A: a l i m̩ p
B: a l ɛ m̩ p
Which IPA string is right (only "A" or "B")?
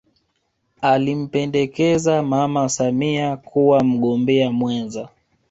A